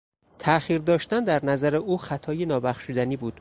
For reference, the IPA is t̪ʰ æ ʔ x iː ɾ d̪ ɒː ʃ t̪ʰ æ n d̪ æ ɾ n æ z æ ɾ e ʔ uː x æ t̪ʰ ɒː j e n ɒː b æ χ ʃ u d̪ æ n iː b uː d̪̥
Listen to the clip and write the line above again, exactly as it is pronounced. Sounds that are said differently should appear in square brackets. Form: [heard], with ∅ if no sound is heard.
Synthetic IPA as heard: t̪ʰ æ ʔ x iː ɾ d̪ ɒː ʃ [t̪] æ n d̪ æ ɾ n æ z æ ɾ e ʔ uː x æ t̪ʰ ɒː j e n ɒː b æ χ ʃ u d̪ æ n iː b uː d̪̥